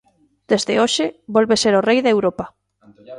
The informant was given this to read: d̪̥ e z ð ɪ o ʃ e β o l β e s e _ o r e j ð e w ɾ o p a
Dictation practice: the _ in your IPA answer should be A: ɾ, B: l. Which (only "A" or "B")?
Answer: A